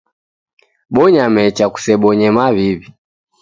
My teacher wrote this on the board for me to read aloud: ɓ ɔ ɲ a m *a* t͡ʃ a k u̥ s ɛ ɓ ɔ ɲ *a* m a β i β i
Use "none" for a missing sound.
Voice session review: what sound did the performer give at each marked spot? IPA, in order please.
ɛ, ɛ

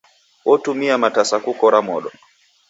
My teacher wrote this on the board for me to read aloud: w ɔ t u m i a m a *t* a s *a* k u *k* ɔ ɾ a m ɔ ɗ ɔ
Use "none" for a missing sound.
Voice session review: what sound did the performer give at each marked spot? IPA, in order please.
t, a, k

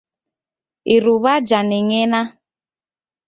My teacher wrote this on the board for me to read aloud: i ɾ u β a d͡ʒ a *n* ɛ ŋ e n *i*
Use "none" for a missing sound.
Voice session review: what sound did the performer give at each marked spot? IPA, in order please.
n, a

